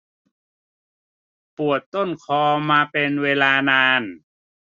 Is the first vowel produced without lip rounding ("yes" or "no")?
no